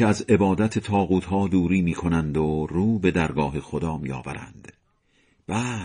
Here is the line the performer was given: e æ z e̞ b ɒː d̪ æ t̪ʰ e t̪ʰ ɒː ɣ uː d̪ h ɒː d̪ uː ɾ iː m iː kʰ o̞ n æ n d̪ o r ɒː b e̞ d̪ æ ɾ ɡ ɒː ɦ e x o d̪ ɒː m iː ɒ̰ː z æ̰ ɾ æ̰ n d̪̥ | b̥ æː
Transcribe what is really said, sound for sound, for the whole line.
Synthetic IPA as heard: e æ z e̞ b ɒː d̪ æ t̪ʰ e t̪ʰ ɒː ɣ uː t̪ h ɒː d̪ uː ɾ iː m iː kʰ o̞ n æ n d̪ o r uː b e̞ d̪ æ ɾ ɡ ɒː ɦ e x o d̪ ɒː m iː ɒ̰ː v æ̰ ɾ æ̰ n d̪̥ | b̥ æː